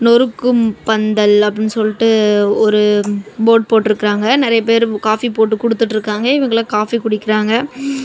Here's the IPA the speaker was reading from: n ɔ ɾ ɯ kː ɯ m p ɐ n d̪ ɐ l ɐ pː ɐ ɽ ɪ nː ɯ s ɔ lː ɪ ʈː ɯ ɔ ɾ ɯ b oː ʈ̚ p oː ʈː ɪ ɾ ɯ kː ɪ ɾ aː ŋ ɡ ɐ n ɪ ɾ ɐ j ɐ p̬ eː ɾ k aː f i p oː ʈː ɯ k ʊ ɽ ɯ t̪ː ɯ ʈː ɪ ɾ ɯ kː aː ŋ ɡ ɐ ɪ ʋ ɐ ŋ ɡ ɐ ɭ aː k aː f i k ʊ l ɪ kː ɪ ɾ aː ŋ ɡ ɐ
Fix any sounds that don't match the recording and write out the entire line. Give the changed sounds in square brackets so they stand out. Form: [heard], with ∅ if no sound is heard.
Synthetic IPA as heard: n ɔ ɾ ɯ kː ɯ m p ɐ n d̪ ɐ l ɐ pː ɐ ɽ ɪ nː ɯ s ɔ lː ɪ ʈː ɯ ɔ ɾ ɯ b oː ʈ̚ p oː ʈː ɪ ɾ ɯ kː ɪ ɾ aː ŋ ɡ ɐ n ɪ ɾ ɐ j ɐ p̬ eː ɾ k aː f i p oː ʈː ɯ k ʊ ɽ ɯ t̪ː ɯ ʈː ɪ ɾ ɯ kː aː ŋ ɡ ɐ ɪ ʋ ɐ ŋ ɡ ɐ ɭ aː k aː f i k ʊ [ɽ] ɪ kː ɪ ɾ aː ŋ ɡ ɐ